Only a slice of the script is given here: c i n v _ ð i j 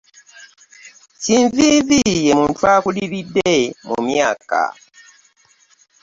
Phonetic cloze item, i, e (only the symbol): i